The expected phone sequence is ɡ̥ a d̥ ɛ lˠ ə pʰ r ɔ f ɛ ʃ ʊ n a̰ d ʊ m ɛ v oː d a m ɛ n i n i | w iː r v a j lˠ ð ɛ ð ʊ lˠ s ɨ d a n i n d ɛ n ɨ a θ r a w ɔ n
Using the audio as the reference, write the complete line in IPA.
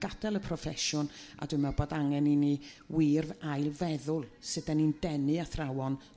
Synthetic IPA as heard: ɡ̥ a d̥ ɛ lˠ ə pʰ r ɔ f ɛ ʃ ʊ n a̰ d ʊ m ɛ b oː d a ŋ ɛ n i n i | w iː r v a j lˠ v ɛ ð ʊ lˠ s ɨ d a n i n d ɛ n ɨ a θ r a w ɔ n